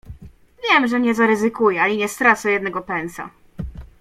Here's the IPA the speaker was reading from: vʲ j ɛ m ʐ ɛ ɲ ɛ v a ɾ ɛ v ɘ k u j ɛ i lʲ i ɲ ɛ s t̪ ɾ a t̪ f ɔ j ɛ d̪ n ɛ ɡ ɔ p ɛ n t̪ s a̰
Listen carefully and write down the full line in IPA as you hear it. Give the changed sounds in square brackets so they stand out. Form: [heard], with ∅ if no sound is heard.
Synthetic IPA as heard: vʲ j ɛ m ʐ ɛ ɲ ɛ [z] a ɾ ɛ [z] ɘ k u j ɛ [a] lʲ i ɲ ɛ s t̪ ɾ a t̪ [s] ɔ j ɛ d̪ n ɛ ɡ ɔ p ɛ n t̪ s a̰